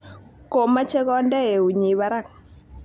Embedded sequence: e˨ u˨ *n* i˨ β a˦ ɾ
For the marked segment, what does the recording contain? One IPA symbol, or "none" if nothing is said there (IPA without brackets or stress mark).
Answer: ɲ